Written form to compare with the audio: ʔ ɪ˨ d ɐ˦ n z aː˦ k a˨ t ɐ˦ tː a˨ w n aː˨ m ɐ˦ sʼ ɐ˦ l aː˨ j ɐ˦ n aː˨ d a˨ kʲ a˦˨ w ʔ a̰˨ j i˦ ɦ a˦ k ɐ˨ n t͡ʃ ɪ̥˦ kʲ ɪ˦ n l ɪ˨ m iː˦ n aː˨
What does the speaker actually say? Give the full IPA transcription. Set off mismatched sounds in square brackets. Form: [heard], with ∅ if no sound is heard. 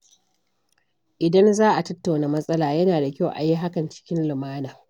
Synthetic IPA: ʔ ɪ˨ d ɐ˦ n z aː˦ [ʔ] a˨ t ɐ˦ tː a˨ w n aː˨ m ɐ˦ sʼ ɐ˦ l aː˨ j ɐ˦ n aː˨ d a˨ kʲ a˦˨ w ʔ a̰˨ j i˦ ɦ a˦ k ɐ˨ n t͡ʃ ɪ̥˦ kʲ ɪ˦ n l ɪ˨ m [aː˦] n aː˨